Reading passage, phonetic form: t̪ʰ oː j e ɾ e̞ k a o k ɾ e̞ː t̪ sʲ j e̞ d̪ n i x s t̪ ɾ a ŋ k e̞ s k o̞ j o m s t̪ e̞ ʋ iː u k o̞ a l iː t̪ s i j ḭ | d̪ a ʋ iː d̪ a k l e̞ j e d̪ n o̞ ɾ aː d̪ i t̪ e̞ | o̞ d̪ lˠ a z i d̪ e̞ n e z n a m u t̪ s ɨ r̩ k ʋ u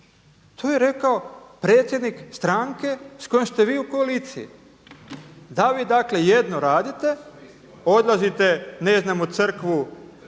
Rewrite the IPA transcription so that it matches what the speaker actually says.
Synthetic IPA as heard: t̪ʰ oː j e ɾ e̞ k a o p ɾ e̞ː t̪ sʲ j e̞ d̪ n i k s t̪ ɾ a ŋ k e̞ s k o̞ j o m s t̪ e̞ ʋ iː u k o̞ a l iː t̪ s i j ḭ | d̪ a ʋ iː d̪ a k l e̞ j e d̪ n o̞ ɾ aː d̪ i t̪ e̞ | o̞ d̪ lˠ a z i t̪ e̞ n e z n a m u t̪ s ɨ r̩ k ʋ u